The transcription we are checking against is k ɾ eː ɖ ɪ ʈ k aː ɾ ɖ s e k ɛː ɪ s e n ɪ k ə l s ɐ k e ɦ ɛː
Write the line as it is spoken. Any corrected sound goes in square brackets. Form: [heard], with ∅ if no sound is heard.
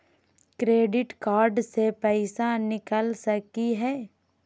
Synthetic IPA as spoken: k ɾ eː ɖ ɪ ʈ k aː ɾ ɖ s e [p] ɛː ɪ s [a] n ɪ k ə l s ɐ k [i] ɦ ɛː